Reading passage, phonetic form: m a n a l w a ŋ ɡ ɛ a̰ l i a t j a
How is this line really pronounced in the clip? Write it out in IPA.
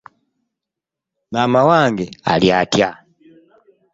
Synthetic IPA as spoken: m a m a w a ŋ ɡ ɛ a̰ l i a t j a